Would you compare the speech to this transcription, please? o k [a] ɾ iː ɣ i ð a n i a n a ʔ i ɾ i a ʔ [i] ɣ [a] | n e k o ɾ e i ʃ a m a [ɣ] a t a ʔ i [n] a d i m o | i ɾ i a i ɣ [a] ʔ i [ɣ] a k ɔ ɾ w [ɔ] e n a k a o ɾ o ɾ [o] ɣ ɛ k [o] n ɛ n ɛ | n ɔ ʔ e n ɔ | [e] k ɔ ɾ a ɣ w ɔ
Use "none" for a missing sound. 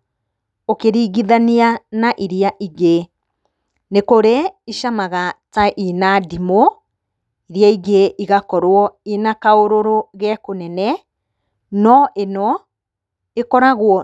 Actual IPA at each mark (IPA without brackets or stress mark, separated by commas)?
e, i, e, ɣ, n, e, ɣ, ɔ, o, o, e